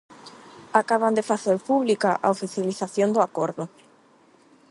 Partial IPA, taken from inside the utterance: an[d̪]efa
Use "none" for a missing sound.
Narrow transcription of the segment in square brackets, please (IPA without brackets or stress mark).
d̪